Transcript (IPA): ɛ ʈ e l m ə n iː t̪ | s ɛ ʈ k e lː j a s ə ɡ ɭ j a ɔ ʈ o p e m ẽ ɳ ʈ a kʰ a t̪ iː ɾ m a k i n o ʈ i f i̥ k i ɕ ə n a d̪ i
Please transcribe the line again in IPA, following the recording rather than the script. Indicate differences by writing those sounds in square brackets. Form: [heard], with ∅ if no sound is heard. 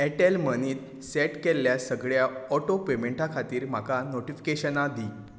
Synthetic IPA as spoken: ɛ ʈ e l m ə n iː t̪ | s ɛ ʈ k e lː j a s ə ɡ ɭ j a ɔ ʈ o p e m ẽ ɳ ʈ a kʰ a t̪ iː ɾ m a k [a] n o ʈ i f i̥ k [e] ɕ ə n a d̪ i